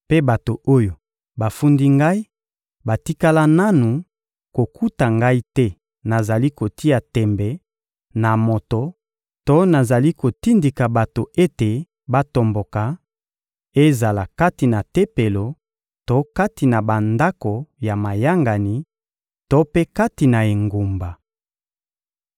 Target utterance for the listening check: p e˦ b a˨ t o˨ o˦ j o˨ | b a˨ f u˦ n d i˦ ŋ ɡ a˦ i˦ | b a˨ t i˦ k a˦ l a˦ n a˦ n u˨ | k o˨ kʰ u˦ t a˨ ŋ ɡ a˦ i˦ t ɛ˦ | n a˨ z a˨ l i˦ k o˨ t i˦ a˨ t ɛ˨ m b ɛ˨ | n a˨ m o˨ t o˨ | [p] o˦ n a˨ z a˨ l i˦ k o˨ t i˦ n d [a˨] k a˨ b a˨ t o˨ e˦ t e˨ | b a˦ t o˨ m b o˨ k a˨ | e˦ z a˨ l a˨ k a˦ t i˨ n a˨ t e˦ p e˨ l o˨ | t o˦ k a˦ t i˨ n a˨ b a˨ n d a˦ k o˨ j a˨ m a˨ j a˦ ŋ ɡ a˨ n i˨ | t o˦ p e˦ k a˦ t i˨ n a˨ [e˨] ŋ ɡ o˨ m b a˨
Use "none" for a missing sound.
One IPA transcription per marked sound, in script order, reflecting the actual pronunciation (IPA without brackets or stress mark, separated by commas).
t, i˨, e˨